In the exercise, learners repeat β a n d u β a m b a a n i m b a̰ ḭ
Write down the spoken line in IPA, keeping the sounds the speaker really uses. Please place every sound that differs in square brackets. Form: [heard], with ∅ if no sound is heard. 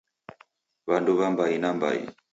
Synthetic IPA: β a n d u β a m b a [i] n [a] m b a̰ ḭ

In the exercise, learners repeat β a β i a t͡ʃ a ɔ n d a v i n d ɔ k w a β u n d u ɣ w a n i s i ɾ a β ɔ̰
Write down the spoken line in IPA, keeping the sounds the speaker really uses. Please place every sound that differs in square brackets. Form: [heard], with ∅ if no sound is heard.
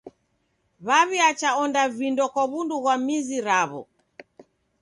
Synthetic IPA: β a β i a t͡ʃ a ɔ n d a v i n d ɔ k w a β u n d u ɣ w a [m] i [z] i ɾ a β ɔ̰

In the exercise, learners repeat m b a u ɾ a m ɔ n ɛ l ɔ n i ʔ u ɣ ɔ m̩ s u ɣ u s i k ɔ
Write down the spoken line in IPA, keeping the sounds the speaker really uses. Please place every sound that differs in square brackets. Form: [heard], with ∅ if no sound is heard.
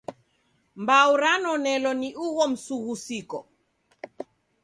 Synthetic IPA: m b a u ɾ a [n] ɔ n ɛ l ɔ n i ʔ u ɣ ɔ m̩ s u ɣ u s i k ɔ

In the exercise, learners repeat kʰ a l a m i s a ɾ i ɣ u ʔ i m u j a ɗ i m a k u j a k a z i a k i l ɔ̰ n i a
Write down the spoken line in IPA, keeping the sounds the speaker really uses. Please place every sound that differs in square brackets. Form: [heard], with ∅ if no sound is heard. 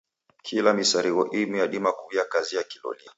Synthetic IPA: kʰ [i] l a m i s a ɾ i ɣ [ɔ] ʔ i m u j a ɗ i m a k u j a k a z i a k i l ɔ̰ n i a

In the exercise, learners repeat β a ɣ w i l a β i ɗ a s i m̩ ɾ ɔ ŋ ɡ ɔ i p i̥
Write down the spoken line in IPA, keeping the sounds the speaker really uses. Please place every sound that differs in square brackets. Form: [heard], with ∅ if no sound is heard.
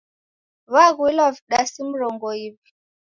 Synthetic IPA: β a ɣ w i l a [v] i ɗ a s i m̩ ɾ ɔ ŋ ɡ ɔ i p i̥

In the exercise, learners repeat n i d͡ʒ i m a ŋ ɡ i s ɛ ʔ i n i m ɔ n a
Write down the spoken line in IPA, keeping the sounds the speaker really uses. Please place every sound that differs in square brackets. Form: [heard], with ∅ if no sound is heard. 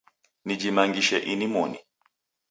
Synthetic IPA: n i d͡ʒ i m a ŋ ɡ i [ʃ] ɛ ʔ i n i m ɔ n [i]

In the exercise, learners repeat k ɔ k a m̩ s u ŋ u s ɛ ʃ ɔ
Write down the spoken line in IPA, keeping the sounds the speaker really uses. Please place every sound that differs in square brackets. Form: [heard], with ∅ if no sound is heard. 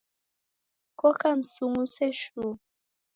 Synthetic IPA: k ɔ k a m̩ s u ŋ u s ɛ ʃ [u]

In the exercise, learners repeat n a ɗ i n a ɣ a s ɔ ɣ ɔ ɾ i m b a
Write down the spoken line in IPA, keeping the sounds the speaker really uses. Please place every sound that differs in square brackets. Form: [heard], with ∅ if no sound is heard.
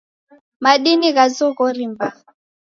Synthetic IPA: [m] a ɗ i n [i] ɣ a [z] ɔ ɣ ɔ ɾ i m b a

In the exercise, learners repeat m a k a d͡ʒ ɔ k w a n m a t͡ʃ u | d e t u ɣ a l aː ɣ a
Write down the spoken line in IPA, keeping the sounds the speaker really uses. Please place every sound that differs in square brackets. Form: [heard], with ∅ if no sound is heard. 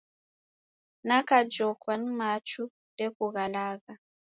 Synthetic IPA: [n] a k a d͡ʒ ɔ k w a n m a t͡ʃ u | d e [k] u ɣ a l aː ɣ a

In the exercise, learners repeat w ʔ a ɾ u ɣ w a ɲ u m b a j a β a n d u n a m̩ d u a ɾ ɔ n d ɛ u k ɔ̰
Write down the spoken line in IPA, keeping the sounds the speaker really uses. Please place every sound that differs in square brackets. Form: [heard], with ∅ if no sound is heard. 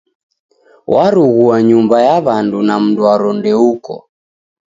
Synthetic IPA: w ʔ a ɾ u ɣ [u] a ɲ u m b a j a β a n d u n a m̩ d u a ɾ ɔ n d ɛ u k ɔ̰

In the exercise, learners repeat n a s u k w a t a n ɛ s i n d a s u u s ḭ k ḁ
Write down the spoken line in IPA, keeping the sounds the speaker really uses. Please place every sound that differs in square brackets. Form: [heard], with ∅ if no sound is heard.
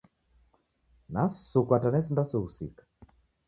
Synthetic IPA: n a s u k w a t a n ɛ s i n d a s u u s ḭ k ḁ

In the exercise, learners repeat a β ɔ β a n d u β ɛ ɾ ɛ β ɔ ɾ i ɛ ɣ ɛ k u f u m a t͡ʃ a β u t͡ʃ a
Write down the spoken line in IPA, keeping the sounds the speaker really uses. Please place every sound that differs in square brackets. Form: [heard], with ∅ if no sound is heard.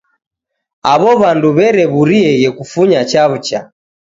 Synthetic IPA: a β ɔ β a n d u β ɛ ɾ ɛ β [u] ɾ i ɛ ɣ ɛ k u f u [ɲ] a t͡ʃ a β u t͡ʃ a

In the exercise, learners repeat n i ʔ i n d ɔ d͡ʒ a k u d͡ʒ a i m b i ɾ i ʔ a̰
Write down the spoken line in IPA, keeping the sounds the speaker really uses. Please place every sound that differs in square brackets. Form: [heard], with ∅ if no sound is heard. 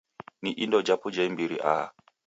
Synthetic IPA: n i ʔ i n d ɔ d͡ʒ a [p] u d͡ʒ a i m b i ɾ i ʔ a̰

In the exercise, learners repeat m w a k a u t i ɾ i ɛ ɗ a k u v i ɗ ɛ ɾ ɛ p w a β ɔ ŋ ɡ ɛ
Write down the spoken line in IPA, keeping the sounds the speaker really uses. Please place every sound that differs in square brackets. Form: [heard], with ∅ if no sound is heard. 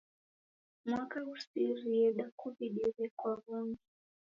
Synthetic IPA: m w a k a u [s] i ɾ i ɛ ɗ a k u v i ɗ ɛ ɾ ɛ [k] w a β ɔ ŋ ɡ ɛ

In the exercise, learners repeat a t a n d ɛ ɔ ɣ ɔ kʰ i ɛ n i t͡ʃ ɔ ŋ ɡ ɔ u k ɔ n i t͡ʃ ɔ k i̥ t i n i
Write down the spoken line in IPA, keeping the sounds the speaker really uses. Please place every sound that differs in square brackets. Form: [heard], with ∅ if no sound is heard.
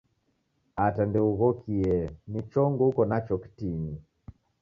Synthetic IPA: a t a n d ɛ [u] ɣ ɔ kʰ i ɛ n i t͡ʃ ɔ ŋ ɡ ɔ u k ɔ n [a] t͡ʃ ɔ k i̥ t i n i

